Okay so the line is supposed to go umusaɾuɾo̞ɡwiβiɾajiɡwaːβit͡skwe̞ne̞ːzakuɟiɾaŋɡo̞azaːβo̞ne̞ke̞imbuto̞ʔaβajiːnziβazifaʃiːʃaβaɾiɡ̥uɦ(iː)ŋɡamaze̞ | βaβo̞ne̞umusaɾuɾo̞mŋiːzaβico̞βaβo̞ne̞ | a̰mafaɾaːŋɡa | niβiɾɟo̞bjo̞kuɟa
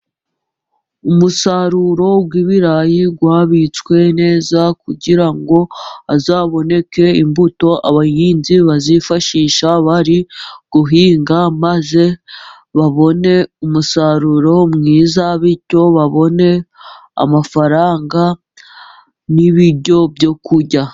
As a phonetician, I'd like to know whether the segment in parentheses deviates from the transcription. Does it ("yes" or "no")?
no